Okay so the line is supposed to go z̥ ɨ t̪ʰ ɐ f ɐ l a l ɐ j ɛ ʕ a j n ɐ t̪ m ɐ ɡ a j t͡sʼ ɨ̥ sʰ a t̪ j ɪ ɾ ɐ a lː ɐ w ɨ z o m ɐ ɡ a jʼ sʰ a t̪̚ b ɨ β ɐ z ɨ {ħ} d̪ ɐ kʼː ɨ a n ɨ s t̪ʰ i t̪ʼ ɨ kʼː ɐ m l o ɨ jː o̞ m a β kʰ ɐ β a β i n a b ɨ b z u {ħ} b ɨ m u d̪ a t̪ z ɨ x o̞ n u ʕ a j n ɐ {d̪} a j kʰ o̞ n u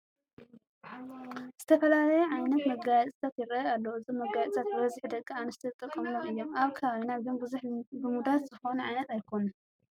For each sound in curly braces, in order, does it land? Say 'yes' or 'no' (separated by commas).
yes, yes, no